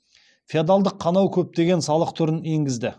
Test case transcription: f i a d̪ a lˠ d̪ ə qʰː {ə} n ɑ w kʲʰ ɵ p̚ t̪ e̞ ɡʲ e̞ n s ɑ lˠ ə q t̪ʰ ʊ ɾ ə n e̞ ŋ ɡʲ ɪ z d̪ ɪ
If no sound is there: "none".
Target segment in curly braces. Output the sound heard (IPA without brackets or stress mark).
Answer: ɑ